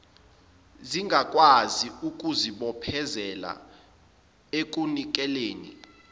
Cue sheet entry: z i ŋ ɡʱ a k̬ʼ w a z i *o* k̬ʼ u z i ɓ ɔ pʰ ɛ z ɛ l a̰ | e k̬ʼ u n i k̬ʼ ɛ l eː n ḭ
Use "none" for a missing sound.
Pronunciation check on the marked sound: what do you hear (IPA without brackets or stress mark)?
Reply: u